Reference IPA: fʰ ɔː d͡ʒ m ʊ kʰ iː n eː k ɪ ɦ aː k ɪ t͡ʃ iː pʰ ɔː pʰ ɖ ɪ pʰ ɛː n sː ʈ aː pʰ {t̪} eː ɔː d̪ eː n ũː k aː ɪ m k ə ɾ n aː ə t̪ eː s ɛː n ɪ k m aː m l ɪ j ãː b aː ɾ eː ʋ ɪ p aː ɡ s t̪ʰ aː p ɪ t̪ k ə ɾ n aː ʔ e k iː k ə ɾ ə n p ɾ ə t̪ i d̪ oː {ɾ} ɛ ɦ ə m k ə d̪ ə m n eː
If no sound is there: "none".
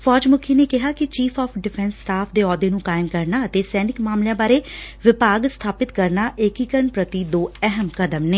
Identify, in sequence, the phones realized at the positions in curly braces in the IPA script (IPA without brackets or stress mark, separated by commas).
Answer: d̪, none